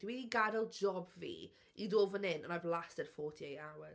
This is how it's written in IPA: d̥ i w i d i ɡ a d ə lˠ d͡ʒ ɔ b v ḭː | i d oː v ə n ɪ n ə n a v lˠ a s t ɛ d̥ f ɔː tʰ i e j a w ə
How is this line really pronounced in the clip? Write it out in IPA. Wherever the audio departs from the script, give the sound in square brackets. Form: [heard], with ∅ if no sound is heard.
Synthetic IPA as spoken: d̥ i w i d i ɡ a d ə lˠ d͡ʒ ɔ b v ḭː | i d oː v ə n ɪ n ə n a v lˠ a s t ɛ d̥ f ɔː tʰ i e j a w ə